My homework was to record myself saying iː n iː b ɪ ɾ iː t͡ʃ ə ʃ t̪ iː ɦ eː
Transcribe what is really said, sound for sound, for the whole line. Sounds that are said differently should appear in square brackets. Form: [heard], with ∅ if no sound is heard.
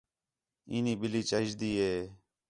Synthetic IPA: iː n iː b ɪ [l] iː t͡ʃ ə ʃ [d̪] iː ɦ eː

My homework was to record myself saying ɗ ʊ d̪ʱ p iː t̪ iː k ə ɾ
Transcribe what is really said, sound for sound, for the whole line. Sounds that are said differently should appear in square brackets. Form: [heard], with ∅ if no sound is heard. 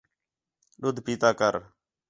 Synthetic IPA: ɗ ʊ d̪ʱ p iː t̪ [aː] k ə ɾ

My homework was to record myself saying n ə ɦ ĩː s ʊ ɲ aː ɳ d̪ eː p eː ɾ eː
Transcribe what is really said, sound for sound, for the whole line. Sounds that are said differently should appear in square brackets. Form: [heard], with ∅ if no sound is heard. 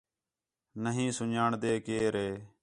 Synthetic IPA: n ə ɦ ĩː s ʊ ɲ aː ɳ d̪ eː [k] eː ɾ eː

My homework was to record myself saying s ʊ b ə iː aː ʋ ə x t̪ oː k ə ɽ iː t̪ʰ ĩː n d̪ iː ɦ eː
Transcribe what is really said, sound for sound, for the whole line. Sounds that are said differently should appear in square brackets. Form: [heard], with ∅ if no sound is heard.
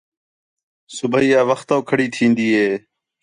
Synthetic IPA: s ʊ b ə iː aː ʋ ə x t̪ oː [kʰ] ə ɽ iː t̪ʰ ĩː n d̪ iː ɦ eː

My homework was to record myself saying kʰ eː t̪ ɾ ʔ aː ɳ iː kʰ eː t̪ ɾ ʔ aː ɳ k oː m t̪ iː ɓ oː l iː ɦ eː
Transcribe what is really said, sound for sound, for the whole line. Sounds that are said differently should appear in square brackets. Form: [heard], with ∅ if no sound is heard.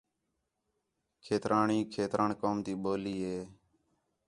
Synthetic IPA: kʰ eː t̪ ɾ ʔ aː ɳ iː kʰ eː t̪ ɾ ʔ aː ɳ k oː m t̪ iː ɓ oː l iː ɦ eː

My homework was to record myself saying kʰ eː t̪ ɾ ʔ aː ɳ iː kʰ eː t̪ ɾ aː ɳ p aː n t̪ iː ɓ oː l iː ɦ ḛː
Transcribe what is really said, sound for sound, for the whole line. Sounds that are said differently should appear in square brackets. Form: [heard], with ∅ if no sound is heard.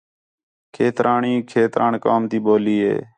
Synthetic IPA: kʰ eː t̪ ɾ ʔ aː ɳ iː kʰ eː t̪ ɾ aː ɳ [k] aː [m] t̪ iː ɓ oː l iː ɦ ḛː

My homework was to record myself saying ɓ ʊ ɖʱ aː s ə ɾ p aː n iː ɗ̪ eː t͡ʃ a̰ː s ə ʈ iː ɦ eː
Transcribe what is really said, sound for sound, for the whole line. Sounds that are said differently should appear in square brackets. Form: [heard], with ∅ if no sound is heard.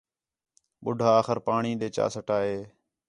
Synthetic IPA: ɓ ʊ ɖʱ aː [x] ə ɾ p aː [ɳ] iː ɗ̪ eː t͡ʃ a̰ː s ə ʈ [aː] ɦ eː

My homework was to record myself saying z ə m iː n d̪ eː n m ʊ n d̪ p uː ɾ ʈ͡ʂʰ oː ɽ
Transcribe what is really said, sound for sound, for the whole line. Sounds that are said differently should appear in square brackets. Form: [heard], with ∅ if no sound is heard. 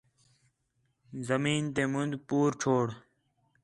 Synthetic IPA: z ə m iː n [t̪] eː [∅] m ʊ n d̪ p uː ɾ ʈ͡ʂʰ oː ɽ

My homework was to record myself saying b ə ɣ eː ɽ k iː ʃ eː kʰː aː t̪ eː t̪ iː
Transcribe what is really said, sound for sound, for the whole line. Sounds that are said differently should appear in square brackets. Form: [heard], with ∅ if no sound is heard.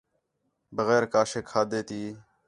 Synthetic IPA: b ə ɣ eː [ɾ] k [aː] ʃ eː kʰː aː [d̪] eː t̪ iː

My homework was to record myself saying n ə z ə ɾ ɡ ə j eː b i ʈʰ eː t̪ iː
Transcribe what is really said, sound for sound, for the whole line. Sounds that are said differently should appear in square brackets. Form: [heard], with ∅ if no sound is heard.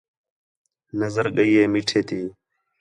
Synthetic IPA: n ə z ə ɾ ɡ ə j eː [m] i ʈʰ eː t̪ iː

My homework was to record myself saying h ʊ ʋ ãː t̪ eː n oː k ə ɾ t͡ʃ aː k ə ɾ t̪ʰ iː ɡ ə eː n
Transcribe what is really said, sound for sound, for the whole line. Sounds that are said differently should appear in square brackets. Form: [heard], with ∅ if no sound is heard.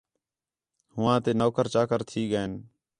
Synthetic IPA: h ʊ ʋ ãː t̪ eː n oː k ə ɾ t͡ʃ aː k ə ɾ t̪ʰ iː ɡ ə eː n

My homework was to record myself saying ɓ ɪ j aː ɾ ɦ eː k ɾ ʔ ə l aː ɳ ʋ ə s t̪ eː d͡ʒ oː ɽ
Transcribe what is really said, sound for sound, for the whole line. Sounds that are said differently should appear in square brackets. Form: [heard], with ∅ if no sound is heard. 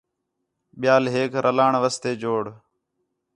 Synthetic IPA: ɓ ɪ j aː [l] ɦ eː k ɾ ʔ ə l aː ɳ ʋ ə s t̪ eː d͡ʒ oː ɽ

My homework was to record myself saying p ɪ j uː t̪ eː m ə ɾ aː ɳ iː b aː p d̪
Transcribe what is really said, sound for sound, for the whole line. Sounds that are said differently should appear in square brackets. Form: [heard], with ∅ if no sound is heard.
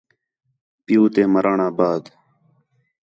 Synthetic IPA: p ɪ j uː t̪ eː m ə ɾ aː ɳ [aː] b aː [∅] d̪

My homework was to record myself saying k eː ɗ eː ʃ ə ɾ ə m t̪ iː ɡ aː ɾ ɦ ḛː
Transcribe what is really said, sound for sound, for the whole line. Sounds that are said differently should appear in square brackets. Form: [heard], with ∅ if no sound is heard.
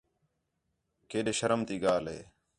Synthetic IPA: k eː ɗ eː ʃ ə ɾ ə m t̪ iː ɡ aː [l] ɦ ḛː

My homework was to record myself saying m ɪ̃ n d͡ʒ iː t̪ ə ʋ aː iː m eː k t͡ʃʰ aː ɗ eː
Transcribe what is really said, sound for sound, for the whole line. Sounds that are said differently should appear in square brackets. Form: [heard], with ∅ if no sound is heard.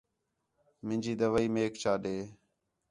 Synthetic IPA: m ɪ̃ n d͡ʒ iː [d̪] ə ʋ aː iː m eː k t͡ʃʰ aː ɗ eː

